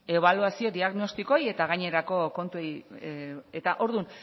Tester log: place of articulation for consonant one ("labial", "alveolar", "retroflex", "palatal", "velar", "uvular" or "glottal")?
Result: labial